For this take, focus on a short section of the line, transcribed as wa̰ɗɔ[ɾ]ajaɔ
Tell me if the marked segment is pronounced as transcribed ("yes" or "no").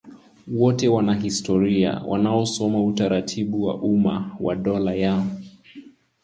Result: no